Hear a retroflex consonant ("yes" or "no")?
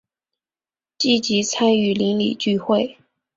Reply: no